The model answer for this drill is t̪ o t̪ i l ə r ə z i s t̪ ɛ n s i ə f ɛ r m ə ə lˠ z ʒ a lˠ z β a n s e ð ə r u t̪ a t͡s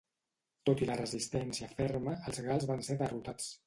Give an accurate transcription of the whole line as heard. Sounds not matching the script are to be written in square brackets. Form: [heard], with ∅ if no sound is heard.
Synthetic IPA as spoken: t̪ o t̪ i l ə r ə z i s t̪ ɛ n s i ə f ɛ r m ə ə lˠ z [ɣ] a lˠ z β a n s e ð ə r u t̪ a t͡s